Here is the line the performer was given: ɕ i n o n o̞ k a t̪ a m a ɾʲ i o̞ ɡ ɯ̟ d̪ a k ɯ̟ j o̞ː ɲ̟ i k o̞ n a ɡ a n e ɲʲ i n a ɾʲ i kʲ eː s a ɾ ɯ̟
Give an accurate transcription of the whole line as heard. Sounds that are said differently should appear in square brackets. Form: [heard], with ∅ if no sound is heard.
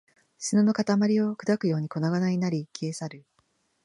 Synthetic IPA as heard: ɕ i n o n o̞ k a t̪ a m a ɾʲ i o̞ [k] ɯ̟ d̪ a k ɯ̟ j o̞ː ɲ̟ i k o̞ n a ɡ a n [a] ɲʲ i n a ɾʲ i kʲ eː s a ɾ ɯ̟